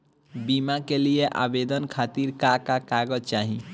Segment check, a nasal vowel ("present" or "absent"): absent